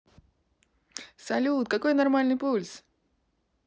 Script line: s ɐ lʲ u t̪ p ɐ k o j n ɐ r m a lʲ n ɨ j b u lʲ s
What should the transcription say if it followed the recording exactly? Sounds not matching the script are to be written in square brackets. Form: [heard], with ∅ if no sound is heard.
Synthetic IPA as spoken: s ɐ lʲ u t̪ [k] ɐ k o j n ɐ r m a lʲ n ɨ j [p] u lʲ s

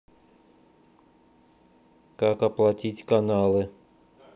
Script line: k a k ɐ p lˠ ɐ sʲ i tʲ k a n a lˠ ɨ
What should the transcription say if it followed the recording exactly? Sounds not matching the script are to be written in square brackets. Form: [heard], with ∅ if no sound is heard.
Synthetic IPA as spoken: k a k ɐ p lˠ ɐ [tʲ] i tʲ k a n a lˠ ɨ

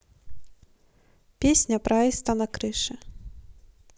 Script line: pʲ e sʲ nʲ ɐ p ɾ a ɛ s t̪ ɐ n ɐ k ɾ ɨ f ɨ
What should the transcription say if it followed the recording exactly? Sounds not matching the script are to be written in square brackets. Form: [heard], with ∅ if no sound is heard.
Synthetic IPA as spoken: pʲ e sʲ nʲ ɐ p ɾ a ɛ s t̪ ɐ n ɐ k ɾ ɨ [ʂ] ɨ

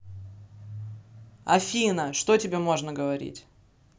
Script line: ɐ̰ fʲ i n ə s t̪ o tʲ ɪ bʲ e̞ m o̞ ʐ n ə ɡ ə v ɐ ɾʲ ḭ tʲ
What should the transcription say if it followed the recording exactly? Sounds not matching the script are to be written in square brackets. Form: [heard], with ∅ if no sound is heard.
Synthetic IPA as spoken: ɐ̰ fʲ i n ə [ʂ] t̪ o tʲ ɪ bʲ e̞ m o̞ ʐ n ə ɡ ə v ɐ ɾʲ ḭ tʲ

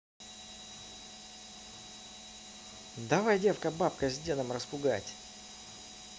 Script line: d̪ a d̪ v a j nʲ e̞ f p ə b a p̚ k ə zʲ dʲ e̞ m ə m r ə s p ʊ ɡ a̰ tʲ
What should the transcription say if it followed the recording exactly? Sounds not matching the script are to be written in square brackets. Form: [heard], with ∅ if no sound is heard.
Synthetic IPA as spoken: d̪ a [∅] v a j [dʲ] e̞ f [k] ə b a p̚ k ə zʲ dʲ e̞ [n] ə m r ə s p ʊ ɡ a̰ tʲ

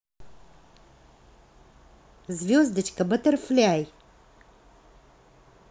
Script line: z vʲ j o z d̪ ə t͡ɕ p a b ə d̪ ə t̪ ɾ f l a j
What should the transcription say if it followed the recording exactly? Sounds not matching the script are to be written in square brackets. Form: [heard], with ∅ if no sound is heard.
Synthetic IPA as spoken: z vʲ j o z d̪ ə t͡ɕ [k] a b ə [t̪] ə [∅] ɾ f l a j

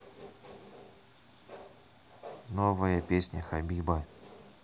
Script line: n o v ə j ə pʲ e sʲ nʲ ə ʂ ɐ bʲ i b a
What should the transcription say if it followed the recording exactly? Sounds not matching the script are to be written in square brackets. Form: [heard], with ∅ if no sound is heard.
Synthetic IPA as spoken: n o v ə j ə pʲ e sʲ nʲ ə [x] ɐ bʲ i b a

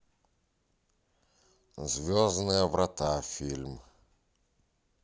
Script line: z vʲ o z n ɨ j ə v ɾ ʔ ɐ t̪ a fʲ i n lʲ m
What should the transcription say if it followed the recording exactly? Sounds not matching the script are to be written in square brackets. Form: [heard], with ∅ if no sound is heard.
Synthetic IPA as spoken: z vʲ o z n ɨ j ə v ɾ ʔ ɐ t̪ a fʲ i [∅] lʲ m

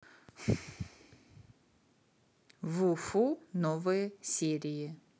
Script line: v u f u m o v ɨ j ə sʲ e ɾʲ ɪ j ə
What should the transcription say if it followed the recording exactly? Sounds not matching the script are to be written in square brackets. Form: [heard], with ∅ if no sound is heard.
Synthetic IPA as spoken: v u f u [n] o v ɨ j ə sʲ e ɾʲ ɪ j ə

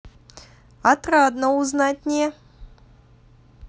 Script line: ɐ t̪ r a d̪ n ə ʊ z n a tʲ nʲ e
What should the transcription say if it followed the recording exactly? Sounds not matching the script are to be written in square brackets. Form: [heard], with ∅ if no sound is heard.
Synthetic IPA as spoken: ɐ t̪ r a d̪ n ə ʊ z n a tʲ nʲ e

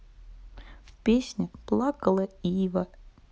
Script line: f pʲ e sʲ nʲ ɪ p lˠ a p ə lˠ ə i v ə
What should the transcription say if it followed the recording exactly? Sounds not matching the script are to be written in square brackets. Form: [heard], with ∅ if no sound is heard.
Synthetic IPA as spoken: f pʲ e sʲ nʲ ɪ p lˠ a [k] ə lˠ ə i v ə

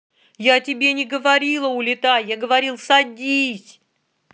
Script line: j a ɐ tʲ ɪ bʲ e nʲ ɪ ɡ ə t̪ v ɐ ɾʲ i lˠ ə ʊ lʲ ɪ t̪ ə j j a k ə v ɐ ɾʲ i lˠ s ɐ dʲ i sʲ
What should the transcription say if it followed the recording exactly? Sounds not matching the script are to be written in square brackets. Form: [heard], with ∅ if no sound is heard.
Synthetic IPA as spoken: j a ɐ tʲ ɪ bʲ e nʲ ɪ ɡ ə [∅] v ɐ ɾʲ i lˠ ə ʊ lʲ ɪ t̪ [a] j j a [ɡ] ə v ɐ ɾʲ i lˠ s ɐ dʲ i sʲ

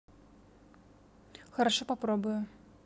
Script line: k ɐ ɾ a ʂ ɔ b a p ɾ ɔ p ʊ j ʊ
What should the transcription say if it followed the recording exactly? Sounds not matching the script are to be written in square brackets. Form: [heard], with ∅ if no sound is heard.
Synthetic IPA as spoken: [x] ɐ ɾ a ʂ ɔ [p] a p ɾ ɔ [b] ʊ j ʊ

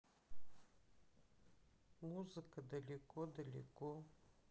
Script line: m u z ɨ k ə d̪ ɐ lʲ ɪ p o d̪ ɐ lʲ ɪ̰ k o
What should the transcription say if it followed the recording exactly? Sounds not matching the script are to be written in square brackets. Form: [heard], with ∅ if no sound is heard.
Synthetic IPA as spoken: m u z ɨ k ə d̪ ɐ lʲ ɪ [k] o d̪ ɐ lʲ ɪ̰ k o

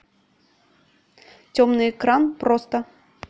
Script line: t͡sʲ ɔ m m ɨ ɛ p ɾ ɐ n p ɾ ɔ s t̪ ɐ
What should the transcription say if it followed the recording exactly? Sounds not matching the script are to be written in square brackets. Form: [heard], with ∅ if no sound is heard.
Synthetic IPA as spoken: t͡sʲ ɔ m [n] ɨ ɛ [k] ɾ [a] n p ɾ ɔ s t̪ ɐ

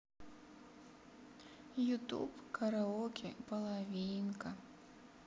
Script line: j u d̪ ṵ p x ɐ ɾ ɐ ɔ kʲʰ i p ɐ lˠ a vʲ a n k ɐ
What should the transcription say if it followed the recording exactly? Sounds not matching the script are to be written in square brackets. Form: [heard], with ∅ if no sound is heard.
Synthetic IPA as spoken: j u [t̪] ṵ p [k] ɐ ɾ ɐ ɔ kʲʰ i p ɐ lˠ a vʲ [i] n k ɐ

